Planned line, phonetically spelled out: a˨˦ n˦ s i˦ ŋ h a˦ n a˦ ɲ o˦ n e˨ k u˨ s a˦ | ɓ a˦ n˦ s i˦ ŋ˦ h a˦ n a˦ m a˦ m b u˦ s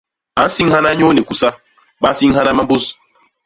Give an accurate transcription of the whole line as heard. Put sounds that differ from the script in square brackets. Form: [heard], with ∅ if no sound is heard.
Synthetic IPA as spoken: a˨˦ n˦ s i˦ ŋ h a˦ n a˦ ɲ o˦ n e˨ k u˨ s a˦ | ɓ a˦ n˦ s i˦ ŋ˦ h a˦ n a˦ m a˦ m b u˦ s